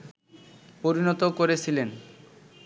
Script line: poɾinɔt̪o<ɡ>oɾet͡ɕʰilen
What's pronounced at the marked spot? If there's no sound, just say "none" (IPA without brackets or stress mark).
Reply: k